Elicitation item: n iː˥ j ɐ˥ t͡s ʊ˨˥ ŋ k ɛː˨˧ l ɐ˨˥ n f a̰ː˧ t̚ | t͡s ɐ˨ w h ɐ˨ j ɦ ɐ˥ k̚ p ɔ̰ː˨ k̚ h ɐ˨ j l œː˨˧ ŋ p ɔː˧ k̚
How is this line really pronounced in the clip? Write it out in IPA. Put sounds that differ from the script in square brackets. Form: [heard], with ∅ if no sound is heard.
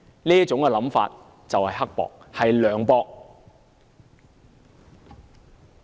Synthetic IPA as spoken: n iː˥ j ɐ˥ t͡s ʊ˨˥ ŋ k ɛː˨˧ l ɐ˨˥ [m] f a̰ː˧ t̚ | t͡s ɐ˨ w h ɐ˨ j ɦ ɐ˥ k̚ p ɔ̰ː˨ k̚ h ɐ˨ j l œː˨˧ ŋ p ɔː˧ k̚